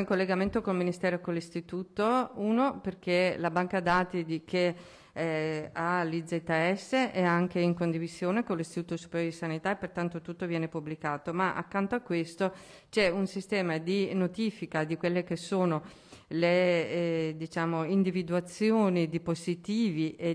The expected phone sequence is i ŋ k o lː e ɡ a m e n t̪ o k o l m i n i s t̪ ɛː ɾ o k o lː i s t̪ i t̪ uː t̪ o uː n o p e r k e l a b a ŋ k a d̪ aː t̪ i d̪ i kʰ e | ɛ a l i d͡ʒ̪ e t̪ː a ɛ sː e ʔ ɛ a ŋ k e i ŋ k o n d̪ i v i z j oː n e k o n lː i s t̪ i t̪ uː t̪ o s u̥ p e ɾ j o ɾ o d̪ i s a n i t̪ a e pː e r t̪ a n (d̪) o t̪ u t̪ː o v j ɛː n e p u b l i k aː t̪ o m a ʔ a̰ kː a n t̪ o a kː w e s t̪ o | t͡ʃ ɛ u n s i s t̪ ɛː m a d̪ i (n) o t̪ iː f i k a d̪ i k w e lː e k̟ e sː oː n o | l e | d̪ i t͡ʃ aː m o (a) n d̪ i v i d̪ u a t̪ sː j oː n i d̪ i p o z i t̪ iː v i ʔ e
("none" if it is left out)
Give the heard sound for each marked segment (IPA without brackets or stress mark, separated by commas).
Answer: t̪, n, i